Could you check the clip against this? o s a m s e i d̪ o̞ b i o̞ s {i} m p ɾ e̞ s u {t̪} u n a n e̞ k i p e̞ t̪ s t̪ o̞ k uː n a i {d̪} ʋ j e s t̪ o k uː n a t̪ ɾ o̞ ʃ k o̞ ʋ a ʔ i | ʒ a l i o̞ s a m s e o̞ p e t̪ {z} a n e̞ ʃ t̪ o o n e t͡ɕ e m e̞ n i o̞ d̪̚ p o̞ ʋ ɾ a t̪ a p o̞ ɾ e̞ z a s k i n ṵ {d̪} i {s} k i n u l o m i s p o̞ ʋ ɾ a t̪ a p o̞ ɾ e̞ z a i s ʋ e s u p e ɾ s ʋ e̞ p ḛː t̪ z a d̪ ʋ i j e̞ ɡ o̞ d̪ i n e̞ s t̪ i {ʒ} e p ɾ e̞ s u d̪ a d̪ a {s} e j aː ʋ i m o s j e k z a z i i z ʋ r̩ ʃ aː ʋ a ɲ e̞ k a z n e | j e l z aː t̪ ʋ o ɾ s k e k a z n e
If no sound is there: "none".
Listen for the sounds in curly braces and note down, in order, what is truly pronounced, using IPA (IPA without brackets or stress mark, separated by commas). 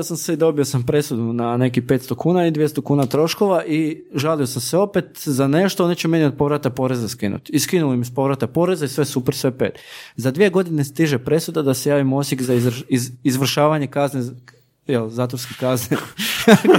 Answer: a, d̪, d̪, z, t̪, s, ʒ, s